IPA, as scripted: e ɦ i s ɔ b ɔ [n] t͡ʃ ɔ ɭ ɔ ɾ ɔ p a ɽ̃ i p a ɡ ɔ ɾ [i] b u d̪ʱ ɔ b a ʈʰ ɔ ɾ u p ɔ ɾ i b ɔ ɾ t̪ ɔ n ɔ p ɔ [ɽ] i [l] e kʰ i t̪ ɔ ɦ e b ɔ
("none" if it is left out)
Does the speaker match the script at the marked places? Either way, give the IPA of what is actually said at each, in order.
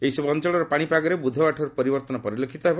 n, e, ɾ, l

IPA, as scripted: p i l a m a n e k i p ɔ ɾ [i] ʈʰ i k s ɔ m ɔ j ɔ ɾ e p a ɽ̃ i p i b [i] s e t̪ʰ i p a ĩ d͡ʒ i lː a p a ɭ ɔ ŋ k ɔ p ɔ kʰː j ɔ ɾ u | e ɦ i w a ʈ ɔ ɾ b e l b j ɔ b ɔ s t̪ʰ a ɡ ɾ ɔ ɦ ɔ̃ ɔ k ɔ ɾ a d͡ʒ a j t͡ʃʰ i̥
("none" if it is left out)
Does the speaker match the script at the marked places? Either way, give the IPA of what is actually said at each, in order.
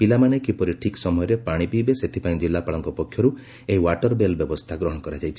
i, e

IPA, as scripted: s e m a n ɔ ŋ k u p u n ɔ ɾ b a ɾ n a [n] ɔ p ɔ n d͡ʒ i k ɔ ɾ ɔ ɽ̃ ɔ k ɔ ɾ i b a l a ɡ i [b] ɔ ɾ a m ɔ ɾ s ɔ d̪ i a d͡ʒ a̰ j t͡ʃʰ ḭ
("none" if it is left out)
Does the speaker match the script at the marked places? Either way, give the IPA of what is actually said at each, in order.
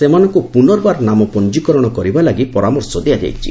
m, p

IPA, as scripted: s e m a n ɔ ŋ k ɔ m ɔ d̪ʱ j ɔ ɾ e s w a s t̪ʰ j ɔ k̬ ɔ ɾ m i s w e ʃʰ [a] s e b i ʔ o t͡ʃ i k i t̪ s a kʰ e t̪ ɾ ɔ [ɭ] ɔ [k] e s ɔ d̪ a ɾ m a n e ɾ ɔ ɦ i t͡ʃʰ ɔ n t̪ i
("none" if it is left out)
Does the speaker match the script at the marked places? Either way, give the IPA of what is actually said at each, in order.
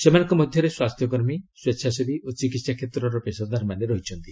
a, ɾ, p

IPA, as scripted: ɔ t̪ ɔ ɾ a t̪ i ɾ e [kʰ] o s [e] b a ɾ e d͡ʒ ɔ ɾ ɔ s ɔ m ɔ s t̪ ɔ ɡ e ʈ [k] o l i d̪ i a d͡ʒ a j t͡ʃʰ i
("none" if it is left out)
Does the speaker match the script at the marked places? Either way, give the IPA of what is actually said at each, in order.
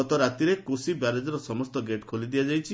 k, i, kʰ

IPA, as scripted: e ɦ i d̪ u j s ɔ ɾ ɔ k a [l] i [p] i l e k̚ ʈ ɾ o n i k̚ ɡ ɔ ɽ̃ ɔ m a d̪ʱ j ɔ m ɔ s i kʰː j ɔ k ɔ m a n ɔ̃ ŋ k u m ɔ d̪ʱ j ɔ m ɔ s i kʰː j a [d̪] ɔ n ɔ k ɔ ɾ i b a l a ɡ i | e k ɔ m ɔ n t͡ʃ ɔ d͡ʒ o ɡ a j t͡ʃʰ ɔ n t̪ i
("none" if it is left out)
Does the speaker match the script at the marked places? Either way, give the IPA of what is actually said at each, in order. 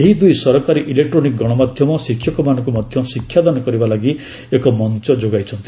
ɾ, ʔ, d̪

